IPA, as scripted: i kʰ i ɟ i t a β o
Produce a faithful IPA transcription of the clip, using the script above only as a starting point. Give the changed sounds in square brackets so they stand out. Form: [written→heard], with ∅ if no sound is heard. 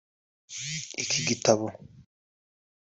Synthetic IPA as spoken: i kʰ i [ɟ→ɡ] i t a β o